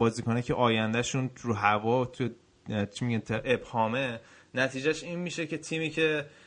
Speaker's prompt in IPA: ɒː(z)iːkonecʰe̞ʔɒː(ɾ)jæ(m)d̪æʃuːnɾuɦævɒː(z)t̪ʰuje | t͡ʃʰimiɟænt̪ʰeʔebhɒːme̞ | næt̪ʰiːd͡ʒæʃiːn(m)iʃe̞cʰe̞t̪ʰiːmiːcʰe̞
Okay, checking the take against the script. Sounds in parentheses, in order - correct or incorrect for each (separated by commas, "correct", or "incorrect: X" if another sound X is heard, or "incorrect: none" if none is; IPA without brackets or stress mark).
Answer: correct, incorrect: none, incorrect: n, incorrect: none, correct